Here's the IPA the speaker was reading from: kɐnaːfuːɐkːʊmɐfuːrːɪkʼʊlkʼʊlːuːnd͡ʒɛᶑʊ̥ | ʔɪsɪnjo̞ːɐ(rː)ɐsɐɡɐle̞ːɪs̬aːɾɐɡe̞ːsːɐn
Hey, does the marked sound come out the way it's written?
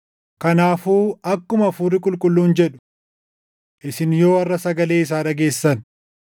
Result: yes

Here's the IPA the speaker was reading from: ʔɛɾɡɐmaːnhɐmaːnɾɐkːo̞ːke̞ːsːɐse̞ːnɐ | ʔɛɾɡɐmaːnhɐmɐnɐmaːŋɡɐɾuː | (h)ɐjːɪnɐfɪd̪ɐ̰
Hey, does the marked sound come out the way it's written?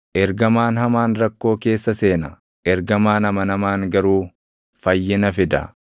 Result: no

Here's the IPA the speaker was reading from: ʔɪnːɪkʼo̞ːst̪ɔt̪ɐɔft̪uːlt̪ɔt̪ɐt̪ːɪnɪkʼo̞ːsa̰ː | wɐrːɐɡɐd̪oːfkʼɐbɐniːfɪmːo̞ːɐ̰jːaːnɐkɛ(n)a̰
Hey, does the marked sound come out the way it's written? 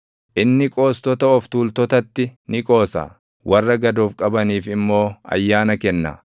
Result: no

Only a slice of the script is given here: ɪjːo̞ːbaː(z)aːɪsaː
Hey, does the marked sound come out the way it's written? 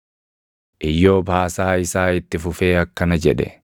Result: no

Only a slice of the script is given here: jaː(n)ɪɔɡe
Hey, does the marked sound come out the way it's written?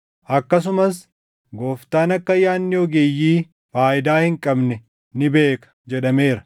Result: no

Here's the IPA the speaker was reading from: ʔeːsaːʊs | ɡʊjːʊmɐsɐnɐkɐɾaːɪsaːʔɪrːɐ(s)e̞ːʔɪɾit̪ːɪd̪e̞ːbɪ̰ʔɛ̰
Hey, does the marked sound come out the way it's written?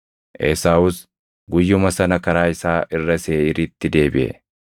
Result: yes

